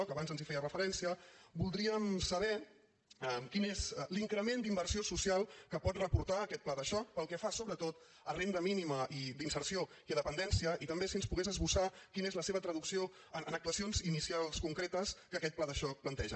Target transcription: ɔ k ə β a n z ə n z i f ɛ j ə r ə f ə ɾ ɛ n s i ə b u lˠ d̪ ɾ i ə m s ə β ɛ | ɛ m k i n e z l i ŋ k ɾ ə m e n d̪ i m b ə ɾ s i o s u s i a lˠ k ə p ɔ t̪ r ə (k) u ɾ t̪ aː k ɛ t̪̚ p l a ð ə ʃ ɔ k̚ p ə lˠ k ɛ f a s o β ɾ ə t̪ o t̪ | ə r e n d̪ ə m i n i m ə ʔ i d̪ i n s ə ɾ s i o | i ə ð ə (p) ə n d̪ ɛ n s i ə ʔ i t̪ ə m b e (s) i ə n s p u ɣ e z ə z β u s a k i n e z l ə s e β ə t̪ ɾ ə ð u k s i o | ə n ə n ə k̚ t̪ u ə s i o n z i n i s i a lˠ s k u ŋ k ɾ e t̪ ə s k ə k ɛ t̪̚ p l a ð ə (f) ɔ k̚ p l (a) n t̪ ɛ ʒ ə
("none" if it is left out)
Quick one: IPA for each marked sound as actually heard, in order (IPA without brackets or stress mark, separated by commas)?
p, p, s, ʃ, ə